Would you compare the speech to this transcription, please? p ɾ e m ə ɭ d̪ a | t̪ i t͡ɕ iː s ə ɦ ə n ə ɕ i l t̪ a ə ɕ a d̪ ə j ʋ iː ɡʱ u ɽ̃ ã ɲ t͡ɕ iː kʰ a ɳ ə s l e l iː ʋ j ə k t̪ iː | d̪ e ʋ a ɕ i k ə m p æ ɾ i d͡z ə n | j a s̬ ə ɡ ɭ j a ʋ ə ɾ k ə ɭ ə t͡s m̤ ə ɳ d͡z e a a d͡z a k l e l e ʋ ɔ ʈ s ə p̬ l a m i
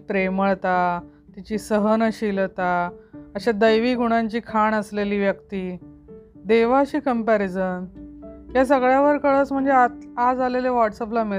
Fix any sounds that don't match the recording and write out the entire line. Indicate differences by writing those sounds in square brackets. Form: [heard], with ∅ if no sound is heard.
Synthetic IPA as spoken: p ɾ e m ə ɭ [t̪] a | t̪ i t͡ɕ iː s ə ɦ ə n ə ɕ i l t̪ a ə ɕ a d̪ ə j ʋ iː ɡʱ u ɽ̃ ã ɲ t͡ɕ iː kʰ a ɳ ə s l e l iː ʋ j ə k t̪ iː | d̪ e ʋ a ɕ [iː] k ə m p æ ɾ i d͡z ə n | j a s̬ ə ɡ ɭ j a ʋ ə ɾ k ə ɭ ə t͡s m̤ ə ɳ d͡z e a a d͡z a [∅] l e l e ʋ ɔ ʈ s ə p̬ l a m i